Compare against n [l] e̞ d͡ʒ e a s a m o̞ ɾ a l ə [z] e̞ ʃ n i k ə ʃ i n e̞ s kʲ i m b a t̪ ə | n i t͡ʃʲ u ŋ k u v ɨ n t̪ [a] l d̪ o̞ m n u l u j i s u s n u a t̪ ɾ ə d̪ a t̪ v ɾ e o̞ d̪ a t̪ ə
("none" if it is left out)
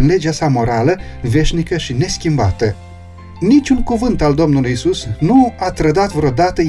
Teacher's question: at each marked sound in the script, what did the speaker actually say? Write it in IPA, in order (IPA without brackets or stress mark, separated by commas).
l, v, a